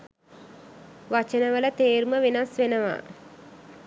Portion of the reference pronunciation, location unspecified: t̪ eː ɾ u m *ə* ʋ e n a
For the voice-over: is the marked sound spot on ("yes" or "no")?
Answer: yes